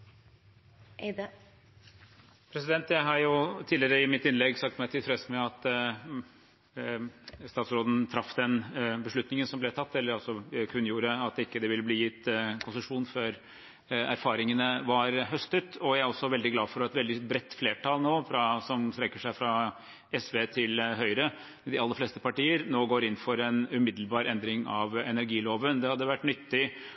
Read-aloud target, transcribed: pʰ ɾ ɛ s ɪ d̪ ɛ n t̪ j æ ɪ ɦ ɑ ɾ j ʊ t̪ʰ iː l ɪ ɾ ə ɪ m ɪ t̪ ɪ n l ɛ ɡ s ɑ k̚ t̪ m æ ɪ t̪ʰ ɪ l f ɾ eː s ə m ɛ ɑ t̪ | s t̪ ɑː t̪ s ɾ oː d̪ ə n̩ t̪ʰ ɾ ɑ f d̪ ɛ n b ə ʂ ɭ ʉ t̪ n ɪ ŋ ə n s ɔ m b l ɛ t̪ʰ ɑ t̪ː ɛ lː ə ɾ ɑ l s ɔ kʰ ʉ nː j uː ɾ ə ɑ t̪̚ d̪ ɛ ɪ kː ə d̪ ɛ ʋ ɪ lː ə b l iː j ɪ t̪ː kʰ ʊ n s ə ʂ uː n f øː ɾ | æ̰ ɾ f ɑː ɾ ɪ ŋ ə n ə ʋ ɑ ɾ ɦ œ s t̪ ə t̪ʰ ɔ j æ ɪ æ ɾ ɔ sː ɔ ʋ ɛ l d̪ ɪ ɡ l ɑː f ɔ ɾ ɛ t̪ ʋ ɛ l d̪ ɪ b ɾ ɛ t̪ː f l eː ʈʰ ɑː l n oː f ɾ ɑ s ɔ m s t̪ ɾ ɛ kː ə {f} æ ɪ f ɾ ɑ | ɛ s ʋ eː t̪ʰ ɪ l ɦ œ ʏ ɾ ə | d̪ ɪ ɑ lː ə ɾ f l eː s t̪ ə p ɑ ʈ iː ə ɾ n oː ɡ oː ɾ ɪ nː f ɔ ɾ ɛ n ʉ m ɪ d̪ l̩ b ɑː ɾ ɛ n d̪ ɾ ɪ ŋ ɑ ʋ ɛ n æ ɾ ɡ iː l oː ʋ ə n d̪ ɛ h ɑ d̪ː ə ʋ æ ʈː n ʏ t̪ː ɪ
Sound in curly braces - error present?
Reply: yes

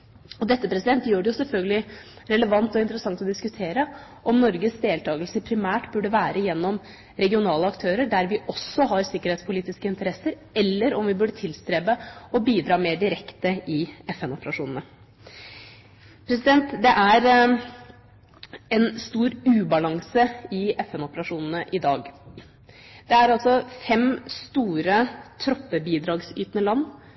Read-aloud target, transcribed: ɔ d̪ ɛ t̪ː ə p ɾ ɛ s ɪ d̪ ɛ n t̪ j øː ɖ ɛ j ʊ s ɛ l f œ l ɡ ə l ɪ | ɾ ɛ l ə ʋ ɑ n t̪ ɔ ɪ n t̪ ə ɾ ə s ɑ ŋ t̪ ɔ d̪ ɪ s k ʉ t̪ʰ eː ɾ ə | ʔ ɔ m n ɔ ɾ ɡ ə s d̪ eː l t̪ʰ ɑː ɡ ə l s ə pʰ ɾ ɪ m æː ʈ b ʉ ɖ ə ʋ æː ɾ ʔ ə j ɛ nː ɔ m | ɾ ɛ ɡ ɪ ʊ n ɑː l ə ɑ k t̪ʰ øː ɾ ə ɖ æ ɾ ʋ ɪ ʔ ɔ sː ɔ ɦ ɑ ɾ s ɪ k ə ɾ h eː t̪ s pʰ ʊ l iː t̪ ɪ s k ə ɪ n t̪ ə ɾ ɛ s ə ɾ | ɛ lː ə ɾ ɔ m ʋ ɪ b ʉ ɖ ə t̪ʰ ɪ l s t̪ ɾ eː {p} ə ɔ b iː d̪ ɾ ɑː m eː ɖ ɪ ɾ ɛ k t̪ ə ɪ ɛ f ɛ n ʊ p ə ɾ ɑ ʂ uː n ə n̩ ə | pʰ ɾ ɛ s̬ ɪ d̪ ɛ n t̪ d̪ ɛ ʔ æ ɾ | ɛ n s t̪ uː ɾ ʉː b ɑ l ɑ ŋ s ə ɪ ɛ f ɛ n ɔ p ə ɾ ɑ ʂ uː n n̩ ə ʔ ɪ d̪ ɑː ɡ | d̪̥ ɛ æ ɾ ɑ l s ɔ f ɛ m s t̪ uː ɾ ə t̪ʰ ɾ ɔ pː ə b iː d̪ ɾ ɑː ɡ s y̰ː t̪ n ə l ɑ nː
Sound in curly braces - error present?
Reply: yes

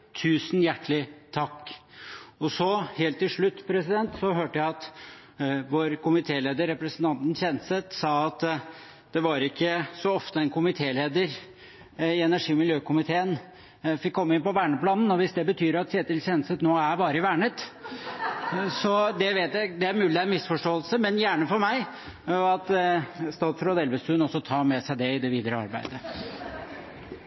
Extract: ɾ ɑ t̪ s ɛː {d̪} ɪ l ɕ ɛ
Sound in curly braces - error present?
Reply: yes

